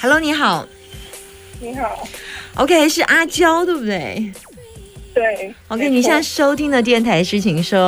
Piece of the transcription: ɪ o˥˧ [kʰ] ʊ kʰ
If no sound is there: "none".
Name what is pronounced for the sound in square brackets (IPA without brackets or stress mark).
none